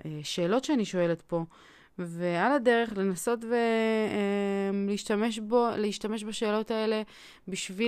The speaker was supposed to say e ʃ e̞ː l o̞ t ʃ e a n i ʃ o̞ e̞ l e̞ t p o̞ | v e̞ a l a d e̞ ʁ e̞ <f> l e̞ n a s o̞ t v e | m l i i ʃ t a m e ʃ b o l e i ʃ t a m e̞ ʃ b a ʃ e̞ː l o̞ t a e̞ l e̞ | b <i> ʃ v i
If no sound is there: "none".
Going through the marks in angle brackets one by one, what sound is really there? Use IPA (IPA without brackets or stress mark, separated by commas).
χ, i